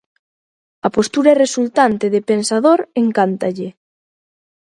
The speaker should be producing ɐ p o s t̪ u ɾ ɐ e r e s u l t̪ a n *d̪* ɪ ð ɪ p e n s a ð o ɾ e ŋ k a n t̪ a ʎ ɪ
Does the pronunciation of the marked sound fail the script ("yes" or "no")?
yes